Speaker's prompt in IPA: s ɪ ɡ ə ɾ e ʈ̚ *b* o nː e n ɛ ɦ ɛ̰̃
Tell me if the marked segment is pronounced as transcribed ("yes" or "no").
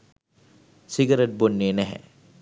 yes